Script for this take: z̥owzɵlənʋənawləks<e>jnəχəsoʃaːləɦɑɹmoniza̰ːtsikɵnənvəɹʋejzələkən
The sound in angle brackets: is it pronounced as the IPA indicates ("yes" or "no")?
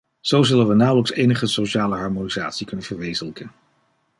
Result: yes